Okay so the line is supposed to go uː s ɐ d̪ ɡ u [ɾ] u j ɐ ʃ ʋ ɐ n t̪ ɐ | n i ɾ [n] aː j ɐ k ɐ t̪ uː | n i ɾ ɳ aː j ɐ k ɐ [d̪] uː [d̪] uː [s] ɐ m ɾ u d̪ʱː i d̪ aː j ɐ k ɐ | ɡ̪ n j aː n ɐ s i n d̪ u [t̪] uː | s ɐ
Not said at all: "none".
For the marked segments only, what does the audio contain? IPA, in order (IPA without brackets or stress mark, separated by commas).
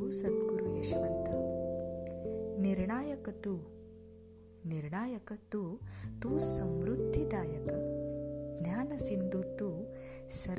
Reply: ɾ, ɳ, t̪, t̪, s, t̪